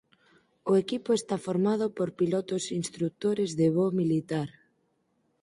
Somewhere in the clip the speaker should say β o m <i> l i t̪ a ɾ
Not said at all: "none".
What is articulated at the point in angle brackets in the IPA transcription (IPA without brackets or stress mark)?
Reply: i